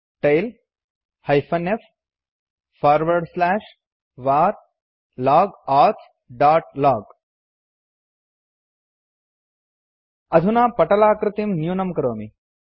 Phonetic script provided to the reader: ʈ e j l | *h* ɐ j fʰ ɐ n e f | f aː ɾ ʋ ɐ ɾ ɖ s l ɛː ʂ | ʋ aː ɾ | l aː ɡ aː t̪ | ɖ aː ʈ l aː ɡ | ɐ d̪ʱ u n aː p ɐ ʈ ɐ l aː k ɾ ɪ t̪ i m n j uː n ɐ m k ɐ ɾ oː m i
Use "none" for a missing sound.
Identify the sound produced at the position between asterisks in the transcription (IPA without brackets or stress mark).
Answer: h